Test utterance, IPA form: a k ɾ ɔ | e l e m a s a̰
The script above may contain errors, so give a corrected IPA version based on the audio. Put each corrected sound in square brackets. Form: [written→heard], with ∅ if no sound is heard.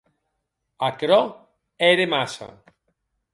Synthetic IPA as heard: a k ɾ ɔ | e [l→ɾ] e m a s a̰